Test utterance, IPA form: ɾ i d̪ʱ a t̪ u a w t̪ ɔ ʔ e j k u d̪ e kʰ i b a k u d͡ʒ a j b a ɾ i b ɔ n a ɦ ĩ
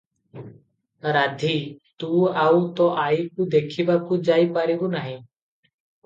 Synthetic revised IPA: ɾ a d̪ʱ i t̪ u a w t̪ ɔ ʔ a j k u d̪ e kʰ i b a k u d͡ʒ a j p a ɾ i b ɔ n a ɦ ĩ